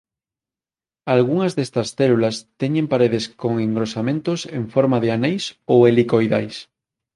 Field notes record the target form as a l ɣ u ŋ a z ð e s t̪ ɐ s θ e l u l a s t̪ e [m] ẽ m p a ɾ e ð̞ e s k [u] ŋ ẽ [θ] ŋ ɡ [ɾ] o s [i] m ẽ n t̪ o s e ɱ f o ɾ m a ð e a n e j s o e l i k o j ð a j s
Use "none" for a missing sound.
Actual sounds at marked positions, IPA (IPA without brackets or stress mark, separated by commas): ɲ, o, none, ɾ, a